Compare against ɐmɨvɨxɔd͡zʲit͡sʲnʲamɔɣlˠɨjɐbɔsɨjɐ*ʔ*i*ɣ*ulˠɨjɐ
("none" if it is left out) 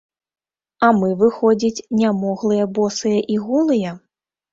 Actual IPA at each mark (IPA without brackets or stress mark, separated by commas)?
ʔ, ɣ